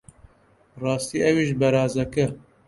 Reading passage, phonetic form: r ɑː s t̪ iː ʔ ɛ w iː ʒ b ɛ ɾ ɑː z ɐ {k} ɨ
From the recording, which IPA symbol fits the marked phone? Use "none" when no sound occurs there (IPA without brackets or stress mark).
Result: k